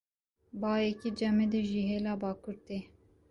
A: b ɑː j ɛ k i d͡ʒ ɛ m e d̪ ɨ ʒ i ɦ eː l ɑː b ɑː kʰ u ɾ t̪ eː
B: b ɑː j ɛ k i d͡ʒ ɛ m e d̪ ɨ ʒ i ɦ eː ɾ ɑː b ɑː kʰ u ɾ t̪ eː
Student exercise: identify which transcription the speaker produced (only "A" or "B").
A